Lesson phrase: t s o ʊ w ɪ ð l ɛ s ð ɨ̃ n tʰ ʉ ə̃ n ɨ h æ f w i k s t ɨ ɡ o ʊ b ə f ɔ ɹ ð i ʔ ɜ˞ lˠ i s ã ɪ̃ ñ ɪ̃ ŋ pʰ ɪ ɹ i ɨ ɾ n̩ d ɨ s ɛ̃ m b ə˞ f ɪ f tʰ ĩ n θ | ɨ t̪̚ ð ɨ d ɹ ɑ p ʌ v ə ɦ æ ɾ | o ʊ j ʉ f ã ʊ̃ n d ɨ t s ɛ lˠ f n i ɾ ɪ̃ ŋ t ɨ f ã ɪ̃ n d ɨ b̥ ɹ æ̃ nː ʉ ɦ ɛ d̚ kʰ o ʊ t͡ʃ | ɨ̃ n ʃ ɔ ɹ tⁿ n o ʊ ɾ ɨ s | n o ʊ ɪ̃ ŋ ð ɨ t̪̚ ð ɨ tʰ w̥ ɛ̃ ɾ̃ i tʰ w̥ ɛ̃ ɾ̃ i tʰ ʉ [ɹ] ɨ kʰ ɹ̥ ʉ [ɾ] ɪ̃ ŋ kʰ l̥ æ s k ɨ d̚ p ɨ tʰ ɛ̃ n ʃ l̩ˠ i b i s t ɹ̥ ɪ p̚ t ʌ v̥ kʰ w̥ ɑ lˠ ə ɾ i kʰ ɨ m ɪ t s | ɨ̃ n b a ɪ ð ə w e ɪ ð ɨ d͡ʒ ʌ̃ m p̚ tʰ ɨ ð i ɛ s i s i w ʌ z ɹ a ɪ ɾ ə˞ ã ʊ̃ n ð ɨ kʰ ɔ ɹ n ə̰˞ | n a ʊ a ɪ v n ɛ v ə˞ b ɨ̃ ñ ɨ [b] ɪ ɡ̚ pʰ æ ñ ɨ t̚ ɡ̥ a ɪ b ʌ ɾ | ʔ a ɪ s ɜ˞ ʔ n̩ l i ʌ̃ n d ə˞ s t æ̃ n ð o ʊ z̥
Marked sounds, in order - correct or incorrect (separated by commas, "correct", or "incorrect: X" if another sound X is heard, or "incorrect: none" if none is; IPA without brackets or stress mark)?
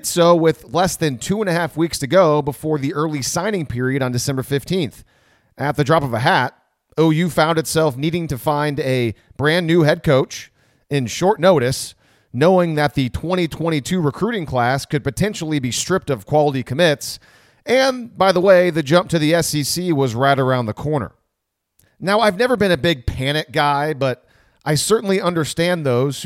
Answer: correct, correct, correct